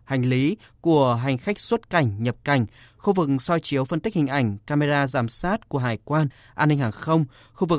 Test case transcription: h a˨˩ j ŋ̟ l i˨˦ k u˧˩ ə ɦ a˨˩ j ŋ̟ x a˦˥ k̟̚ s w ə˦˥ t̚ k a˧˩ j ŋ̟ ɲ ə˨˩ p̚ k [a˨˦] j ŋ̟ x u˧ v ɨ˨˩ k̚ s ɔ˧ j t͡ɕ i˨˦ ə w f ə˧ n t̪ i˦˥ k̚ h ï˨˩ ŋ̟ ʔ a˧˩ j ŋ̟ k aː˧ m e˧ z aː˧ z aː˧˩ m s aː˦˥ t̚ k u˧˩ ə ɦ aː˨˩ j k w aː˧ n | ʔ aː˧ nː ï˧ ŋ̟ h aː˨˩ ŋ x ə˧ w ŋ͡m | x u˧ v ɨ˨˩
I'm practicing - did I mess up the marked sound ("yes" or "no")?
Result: yes